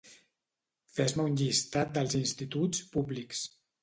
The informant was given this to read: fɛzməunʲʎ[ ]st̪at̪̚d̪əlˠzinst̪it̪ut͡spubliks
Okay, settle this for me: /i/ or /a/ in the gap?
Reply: i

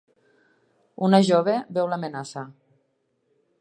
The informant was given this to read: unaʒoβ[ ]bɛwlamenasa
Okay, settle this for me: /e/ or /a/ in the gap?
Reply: e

